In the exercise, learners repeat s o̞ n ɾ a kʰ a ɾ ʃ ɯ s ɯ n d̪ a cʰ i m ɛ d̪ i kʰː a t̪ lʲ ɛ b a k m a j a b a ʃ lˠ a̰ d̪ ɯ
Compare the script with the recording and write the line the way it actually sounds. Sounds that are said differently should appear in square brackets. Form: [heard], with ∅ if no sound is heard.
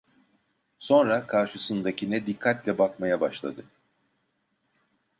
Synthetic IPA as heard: s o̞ n ɾ a kʰ a ɾ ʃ ɯ s ɯ n d̪ a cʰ i [n] ɛ d̪ i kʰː a t̪ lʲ ɛ b a k m a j a b a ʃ lˠ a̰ d̪ ɯ